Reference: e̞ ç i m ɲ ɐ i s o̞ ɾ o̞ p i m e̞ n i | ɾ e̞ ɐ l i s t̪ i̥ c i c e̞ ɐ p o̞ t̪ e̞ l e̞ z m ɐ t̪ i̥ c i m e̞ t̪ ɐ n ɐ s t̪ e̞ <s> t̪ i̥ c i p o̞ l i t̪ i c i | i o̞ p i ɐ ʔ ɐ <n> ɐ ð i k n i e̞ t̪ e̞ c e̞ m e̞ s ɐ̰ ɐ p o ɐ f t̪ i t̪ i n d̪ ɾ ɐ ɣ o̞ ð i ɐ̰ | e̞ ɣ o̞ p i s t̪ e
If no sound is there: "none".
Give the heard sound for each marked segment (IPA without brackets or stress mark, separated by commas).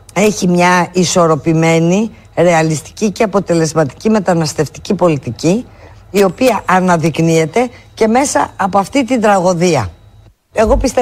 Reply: f, n